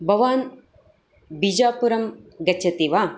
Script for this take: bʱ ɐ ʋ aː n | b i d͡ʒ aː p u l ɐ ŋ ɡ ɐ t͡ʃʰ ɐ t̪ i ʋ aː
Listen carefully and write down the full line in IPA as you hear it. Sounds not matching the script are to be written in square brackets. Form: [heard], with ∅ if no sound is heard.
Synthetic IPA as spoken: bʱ ɐ ʋ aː n | b i d͡ʒ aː p u [ɾ] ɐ [m] ɡ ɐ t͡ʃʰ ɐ t̪ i ʋ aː